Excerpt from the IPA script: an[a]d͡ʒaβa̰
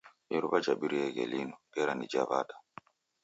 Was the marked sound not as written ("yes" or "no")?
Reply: yes